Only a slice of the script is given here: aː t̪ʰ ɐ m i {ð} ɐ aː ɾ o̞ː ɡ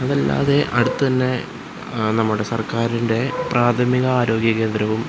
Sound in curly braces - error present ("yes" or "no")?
yes